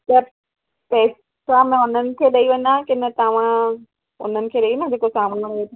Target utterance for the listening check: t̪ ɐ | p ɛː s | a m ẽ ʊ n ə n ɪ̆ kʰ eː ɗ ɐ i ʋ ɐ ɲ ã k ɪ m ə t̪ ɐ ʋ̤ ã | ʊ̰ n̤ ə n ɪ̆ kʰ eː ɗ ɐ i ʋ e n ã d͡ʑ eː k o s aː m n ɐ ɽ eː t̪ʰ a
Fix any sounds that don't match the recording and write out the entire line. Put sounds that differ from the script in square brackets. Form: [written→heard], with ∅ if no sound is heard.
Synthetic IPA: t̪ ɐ | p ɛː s | a m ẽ ʊ n ə n ɪ̆ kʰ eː ɗ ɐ i ʋ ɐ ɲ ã k ɪ [m→n] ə t̪ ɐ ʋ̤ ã | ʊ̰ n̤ ə n ɪ̆ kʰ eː ɗ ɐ i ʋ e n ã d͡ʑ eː k o s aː m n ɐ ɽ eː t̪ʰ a